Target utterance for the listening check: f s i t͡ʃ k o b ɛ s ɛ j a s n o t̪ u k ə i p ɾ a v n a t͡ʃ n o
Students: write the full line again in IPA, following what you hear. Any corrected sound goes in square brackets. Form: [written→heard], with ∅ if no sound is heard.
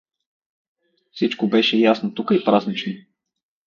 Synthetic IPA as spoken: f s i t͡ʃ k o b ɛ [s→ʃ] ɛ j a s n o t̪ u k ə i p ɾ a [v→z] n [a→i] t͡ʃ n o